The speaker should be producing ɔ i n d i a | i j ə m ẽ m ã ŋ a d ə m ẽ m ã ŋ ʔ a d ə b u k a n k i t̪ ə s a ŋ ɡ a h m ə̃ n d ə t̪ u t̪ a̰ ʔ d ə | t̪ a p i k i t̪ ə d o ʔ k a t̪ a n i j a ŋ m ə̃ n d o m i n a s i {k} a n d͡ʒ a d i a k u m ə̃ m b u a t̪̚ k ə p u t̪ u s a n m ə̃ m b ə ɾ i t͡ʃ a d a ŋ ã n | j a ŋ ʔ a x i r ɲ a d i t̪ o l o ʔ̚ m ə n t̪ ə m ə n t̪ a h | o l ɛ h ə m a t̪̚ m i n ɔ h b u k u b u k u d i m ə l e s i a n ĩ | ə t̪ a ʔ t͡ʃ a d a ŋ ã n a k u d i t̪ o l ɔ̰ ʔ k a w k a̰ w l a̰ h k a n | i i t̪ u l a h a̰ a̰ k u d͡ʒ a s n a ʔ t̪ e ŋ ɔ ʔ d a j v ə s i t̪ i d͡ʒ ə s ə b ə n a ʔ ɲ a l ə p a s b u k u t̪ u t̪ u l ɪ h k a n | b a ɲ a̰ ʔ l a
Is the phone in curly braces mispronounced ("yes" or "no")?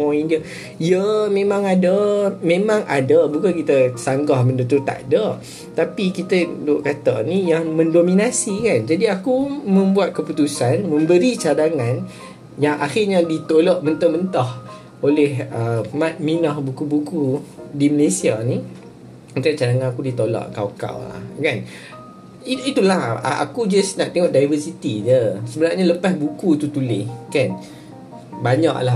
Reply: no